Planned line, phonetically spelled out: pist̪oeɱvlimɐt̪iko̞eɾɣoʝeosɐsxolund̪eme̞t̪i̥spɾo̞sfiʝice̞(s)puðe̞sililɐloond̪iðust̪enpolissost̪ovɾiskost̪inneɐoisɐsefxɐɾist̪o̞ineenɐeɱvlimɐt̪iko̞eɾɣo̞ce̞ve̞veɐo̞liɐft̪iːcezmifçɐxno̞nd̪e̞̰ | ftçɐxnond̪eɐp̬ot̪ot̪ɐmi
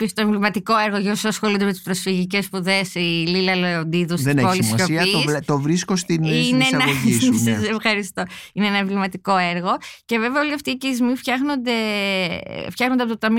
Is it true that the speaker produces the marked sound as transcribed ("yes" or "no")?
yes